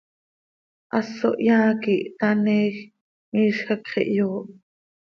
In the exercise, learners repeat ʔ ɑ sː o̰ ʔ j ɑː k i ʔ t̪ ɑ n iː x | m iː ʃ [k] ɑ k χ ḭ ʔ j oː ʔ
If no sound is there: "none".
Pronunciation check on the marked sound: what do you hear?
x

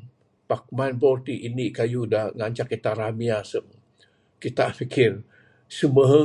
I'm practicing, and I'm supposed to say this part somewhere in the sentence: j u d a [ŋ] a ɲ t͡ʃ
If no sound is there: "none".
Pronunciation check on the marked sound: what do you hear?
ŋ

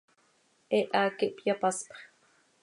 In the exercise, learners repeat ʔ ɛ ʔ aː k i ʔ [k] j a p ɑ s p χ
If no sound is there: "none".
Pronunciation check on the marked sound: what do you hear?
p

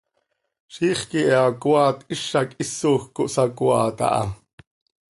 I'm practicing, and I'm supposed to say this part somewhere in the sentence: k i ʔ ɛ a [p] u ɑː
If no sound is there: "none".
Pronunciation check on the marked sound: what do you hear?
k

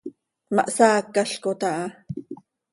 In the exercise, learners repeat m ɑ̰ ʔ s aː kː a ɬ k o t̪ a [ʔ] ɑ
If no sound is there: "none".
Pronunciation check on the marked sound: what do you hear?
ʔ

